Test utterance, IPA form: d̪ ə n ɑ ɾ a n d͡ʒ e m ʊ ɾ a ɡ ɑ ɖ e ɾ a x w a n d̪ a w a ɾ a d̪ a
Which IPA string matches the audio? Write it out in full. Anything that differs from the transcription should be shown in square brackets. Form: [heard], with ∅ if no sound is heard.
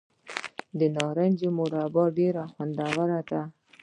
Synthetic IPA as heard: d̪ ə n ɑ ɾ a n d͡ʒ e m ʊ ɾ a [b] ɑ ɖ e ɾ a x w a n d̪ a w a ɾ a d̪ a